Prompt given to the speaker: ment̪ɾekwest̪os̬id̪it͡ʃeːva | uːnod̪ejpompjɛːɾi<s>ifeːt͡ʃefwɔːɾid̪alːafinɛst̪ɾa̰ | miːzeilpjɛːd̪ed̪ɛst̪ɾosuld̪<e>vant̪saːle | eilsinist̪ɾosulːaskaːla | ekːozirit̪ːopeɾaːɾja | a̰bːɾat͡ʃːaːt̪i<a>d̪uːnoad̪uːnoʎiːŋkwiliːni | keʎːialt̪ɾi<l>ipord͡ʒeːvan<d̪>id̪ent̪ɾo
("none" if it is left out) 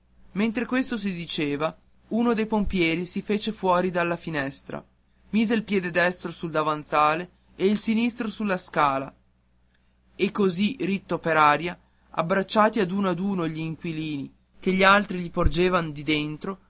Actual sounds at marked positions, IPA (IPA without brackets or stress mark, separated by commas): s, a, a, ʎ, d̪